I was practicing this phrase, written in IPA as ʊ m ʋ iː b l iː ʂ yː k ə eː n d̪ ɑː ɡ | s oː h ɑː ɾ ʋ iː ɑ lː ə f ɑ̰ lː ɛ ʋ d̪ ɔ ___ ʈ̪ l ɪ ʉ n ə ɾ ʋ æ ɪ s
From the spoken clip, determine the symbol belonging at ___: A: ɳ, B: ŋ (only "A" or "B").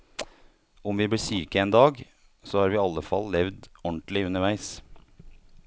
A